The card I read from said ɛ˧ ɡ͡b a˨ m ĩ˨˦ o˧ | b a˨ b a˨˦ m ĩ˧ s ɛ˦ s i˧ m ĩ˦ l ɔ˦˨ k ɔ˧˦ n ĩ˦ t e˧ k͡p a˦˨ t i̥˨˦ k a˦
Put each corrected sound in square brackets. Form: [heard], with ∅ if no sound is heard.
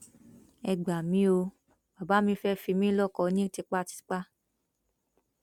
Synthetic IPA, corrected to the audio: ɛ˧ ɡ͡b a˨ m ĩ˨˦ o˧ | b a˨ b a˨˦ m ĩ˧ [f] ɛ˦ [f] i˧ m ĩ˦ l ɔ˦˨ k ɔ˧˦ n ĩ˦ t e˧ k͡p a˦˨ t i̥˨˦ [k͡p] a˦